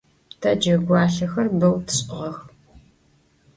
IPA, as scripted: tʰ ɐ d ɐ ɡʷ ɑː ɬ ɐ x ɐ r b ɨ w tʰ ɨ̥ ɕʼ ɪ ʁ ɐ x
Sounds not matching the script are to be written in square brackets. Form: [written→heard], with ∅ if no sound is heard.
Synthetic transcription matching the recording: tʰ ɐ [d→d͡ʒ] ɐ ɡʷ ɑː ɬ ɐ x ɐ r b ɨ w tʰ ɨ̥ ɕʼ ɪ ʁ ɐ x